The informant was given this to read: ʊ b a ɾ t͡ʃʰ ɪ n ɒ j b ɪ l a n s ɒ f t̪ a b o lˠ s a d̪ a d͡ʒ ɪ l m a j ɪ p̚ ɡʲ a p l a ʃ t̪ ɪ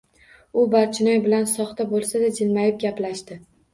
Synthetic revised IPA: ʊ b a ɾ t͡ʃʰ ɪ n ɒ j b ɪ l a n s ɒ χ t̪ a b o lˠ s a d̪ a d͡ʒ ɪ l m a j ɪ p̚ ɡʲ a p l a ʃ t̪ ɪ